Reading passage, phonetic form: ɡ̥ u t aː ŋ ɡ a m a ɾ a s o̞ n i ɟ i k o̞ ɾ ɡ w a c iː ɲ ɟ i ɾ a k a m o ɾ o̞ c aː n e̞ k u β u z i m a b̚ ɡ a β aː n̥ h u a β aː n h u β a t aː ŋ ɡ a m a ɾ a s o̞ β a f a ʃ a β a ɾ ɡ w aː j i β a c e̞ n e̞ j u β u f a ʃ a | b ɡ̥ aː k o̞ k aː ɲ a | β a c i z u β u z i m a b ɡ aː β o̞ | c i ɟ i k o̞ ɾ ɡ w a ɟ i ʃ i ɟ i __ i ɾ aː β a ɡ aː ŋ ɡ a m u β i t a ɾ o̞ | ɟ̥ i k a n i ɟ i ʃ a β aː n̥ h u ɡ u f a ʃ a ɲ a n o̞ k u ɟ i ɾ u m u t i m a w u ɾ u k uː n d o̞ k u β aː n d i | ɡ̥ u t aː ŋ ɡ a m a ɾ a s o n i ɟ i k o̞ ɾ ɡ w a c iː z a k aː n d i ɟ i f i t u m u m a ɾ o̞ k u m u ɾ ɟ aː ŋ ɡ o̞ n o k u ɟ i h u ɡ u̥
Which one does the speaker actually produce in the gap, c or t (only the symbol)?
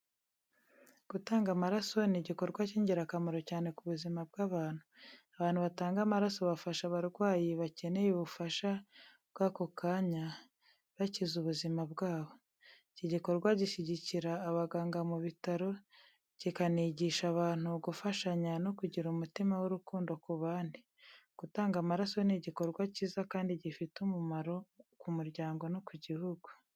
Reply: c